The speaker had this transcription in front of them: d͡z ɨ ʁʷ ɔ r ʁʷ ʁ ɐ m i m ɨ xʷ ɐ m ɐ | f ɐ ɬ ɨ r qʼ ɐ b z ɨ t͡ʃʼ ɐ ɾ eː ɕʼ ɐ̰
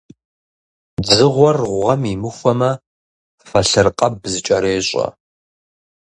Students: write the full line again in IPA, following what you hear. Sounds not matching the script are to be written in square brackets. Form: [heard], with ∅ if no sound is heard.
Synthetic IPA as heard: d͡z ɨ ʁʷ ɔ r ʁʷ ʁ ɐ m i m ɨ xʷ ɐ m ɐ | f ɐ ɬ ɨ r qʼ ɐ b z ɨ t͡ʃʼ ɐ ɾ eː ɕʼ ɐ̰

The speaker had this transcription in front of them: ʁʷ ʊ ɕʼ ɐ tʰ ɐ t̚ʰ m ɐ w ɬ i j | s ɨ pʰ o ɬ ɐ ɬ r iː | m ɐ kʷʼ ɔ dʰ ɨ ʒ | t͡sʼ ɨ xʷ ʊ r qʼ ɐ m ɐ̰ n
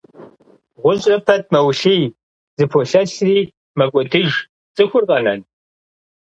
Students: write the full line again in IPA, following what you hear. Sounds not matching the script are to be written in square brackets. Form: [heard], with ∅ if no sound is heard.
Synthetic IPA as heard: ʁʷ ʊ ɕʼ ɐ [pʰ] ɐ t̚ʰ m ɐ w ɬ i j | [z] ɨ pʰ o ɬ ɐ ɬ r iː | m ɐ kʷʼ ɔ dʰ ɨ ʒ | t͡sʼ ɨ xʷ ʊ r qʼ ɐ [n] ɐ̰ n

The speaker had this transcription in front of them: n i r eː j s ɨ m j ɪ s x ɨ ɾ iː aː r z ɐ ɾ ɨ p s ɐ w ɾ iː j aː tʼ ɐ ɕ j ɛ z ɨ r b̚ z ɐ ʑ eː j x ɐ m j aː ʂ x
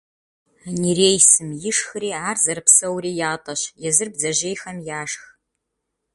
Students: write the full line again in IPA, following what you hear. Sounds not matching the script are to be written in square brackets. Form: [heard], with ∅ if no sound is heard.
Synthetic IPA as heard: n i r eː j s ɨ m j ɪ [ʂ] x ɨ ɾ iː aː r z ɐ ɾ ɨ p s ɐ w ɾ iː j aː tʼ ɐ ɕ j ɛ z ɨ r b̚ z ɐ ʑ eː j x ɐ m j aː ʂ x

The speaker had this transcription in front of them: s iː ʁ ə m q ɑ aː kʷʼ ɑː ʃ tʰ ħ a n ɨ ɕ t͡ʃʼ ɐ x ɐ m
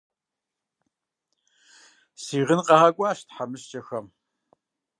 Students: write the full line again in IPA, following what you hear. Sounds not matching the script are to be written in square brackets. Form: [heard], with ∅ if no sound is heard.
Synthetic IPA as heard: s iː ʁ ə [n] q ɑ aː kʷʼ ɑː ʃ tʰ ħ a [m] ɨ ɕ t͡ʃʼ ɐ x ɐ m

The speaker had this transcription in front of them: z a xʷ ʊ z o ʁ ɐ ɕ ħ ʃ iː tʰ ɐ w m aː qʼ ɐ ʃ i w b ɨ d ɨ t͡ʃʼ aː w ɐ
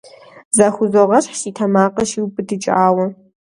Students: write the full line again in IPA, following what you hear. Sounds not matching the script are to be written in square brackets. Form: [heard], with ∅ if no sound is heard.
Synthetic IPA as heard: z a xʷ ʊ z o ʁ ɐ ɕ ħ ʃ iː tʰ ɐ [∅] m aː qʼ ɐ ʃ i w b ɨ d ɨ t͡ʃʼ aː w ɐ

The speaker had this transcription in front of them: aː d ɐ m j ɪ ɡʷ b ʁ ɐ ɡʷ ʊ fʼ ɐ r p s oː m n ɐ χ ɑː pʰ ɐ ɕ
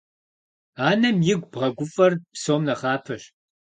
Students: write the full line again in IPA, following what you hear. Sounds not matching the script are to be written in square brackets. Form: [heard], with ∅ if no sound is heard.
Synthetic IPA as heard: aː [n] ɐ m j ɪ ɡʷ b ʁ ɐ ɡʷ ʊ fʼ ɐ r p s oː m n ɐ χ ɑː pʰ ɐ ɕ

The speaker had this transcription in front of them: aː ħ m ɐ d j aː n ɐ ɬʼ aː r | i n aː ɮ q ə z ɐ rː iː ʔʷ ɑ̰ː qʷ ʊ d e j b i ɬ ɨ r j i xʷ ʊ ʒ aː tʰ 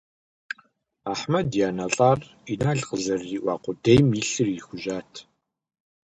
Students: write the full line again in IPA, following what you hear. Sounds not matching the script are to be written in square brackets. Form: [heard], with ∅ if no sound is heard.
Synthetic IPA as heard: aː ħ m ɐ d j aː n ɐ ɬʼ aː r | i n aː ɮ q ə z ɐ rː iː ʔʷ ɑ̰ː qʷ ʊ d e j [m] i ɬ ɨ r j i xʷ ʊ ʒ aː tʰ

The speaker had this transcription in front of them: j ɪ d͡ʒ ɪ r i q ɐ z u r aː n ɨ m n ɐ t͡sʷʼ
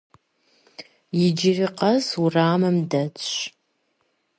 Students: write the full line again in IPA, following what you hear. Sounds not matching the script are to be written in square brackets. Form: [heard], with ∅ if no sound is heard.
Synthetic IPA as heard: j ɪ d͡ʒ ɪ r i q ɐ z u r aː [m] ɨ m [d] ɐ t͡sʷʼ

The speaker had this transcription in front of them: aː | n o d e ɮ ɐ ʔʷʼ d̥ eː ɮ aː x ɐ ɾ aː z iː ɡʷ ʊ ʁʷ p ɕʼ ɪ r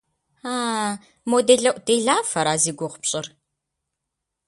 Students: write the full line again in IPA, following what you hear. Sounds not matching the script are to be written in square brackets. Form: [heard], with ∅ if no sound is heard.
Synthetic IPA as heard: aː | [m] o d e ɮ ɐ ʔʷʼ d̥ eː ɮ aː [f] ɐ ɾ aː z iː ɡʷ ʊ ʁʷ p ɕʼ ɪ r

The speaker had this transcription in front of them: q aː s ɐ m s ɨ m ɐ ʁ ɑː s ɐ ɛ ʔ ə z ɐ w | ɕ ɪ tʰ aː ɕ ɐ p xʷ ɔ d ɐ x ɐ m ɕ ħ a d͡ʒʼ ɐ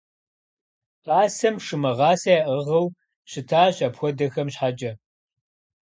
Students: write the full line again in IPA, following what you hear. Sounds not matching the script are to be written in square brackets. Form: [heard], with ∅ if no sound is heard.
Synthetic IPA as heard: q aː s ɐ m [ʂ] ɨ m ɐ ʁ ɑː s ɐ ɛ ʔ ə [ʁ] ɐ w | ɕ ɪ tʰ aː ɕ ɐ p xʷ ɔ d ɐ x ɐ m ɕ ħ a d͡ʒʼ ɐ

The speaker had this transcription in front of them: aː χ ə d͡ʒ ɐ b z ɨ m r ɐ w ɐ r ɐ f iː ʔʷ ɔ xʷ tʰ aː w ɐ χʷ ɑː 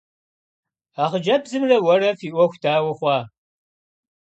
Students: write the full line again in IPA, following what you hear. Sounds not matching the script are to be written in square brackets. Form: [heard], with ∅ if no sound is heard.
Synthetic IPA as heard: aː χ ə d͡ʒ ɐ b z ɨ m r ɐ w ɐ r ɐ f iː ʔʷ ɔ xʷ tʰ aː w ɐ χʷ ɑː

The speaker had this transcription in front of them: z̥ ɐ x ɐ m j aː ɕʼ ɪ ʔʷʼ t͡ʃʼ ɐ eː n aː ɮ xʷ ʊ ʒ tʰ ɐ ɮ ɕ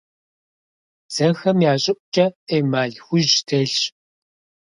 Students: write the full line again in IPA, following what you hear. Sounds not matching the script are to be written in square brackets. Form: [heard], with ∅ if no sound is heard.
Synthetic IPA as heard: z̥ ɐ x ɐ m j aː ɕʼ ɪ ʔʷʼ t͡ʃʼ ɐ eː [m] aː ɮ xʷ ʊ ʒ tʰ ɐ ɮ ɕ

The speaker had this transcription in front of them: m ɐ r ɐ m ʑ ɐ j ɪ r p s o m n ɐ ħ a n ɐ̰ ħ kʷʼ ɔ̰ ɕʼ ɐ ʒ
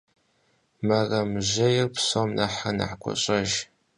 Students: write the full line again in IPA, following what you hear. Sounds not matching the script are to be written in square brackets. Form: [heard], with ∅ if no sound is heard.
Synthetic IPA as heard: m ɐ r ɐ m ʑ ɐ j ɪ r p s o m n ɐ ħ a n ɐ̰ ħ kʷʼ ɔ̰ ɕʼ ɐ ʒ

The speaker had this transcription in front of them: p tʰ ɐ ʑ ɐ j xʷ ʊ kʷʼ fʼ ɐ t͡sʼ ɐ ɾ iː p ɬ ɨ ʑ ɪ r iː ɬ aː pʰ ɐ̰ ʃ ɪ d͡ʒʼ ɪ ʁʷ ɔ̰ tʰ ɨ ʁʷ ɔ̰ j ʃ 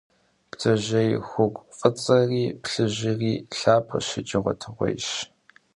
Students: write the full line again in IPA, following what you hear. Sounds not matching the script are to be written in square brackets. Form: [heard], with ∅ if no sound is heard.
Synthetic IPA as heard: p tʰ ɐ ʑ ɐ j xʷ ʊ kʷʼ fʼ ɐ t͡sʼ ɐ [r] iː p ɬ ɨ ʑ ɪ r iː ɬ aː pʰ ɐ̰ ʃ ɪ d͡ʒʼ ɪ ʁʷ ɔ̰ tʰ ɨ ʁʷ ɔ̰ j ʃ

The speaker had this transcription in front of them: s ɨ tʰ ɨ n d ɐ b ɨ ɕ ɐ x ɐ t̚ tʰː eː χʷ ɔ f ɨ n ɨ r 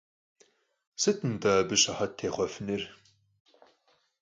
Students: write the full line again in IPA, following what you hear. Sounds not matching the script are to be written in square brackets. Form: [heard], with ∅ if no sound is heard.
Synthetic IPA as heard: s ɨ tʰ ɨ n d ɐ b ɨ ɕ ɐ [ħ] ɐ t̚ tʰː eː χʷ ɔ f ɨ n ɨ r

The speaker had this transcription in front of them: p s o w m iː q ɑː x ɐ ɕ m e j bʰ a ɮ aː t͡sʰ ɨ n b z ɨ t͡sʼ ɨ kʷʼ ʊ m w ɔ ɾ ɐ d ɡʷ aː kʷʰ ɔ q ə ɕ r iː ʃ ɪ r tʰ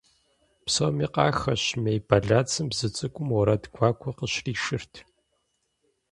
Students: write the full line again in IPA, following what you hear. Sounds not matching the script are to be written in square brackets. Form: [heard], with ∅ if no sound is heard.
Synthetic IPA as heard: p s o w m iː q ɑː x ɐ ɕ m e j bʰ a ɮ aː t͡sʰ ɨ [m] b z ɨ t͡sʼ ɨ kʷʼ ʊ m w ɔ ɾ ɐ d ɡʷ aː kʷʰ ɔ q ə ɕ r iː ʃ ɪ r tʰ

